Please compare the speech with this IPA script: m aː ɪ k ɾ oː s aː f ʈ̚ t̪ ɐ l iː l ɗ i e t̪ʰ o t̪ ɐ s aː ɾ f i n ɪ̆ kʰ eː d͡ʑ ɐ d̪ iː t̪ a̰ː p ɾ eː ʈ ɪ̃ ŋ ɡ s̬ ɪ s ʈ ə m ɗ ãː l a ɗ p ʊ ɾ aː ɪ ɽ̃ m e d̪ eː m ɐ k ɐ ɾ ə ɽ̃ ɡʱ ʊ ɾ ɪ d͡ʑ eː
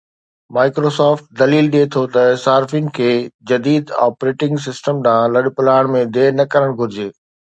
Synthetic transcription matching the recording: m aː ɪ k ɾ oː s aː f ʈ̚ d̪ ɐ l iː l ɗ i e t̪ʰ o t̪ ɐ s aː ɾ f i n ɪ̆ kʰ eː d͡ʑ ɐ d̪ iː d̪ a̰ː p ɾ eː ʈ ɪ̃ ŋ ɡ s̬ ɪ s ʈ ə m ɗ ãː l ɐ ɗ p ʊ l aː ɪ ɽ̃ m ẽ d̪ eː n ɐ k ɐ ɾ ə ɽ̃ ɡʱ ʊ ɾ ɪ d͡ʑ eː